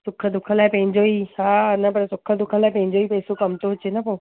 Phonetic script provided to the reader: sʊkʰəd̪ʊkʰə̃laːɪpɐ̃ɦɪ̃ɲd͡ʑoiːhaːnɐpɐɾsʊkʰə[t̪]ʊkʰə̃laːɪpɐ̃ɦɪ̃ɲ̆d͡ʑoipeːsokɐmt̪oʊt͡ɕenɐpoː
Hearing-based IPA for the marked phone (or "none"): d̪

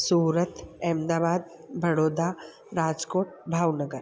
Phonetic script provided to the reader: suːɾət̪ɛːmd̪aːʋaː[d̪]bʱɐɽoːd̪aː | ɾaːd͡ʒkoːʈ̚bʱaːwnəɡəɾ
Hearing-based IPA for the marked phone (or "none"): d̪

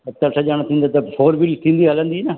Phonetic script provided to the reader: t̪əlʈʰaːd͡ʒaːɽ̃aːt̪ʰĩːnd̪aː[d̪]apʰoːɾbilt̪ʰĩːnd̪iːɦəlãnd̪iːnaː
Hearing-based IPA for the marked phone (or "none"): t̪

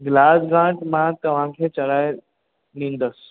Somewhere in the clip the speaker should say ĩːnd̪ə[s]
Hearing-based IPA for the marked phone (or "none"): s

